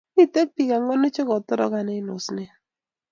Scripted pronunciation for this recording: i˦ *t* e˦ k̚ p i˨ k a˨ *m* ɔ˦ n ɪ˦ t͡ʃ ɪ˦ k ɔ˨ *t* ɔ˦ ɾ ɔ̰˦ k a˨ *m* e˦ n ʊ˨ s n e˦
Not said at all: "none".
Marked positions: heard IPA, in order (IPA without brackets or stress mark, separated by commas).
t, ŋ, t, n